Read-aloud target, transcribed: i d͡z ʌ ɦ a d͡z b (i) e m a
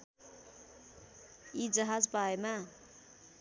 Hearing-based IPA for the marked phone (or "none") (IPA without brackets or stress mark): a